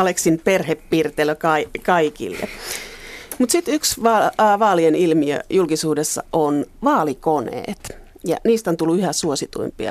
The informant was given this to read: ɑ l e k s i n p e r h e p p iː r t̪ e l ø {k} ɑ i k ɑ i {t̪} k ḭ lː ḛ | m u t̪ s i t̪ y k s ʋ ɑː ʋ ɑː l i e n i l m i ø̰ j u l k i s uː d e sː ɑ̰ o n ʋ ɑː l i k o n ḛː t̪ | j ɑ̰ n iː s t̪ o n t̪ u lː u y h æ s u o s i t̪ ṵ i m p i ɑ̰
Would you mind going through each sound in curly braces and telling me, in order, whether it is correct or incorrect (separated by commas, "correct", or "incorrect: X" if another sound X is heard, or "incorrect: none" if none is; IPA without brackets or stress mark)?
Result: correct, incorrect: none